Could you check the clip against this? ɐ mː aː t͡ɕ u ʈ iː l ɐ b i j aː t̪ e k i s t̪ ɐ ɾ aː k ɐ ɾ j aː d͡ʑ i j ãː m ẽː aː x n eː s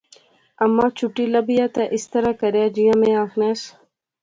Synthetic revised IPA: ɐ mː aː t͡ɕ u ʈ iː l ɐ b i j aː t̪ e ʔ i s t̪ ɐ ɾ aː k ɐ ɾ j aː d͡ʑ i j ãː m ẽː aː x n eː s